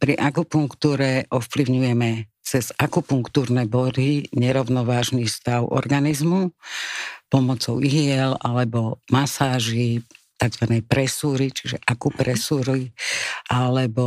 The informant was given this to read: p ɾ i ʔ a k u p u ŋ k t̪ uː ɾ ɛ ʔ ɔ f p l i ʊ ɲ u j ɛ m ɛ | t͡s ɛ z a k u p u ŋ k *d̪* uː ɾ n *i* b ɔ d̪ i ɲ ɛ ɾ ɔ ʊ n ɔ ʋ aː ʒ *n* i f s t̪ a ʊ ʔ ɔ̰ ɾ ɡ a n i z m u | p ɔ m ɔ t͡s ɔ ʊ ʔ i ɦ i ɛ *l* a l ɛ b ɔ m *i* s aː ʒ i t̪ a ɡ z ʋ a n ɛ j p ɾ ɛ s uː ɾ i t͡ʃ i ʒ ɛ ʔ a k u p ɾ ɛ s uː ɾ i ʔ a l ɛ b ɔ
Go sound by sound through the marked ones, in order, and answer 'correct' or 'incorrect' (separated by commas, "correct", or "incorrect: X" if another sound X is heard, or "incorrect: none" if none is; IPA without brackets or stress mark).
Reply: incorrect: t̪, incorrect: ɛ, correct, correct, incorrect: a